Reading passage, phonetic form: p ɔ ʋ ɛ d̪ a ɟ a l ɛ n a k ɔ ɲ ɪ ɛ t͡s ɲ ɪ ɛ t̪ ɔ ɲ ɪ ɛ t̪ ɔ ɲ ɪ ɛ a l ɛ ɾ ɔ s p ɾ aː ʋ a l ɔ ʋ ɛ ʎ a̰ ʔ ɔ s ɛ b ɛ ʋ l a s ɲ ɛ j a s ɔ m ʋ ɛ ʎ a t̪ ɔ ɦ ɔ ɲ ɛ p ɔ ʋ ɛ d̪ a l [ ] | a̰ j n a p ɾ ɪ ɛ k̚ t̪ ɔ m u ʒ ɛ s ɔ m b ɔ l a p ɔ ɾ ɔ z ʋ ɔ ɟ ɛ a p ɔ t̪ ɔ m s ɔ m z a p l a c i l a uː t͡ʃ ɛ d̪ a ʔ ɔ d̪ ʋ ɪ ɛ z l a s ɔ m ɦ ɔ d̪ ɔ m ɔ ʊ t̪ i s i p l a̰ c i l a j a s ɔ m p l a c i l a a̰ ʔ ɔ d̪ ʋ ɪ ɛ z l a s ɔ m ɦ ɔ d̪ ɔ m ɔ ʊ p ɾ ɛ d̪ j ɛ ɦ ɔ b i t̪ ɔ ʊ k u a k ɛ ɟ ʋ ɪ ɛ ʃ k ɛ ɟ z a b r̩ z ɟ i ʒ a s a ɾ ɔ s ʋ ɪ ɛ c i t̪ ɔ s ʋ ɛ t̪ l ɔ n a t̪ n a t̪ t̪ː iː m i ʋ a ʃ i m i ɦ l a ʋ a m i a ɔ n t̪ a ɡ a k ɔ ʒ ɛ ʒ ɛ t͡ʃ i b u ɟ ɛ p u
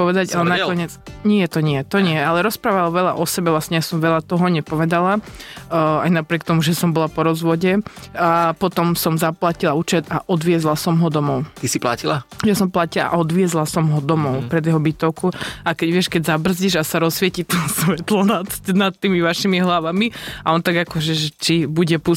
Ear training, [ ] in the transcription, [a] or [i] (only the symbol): a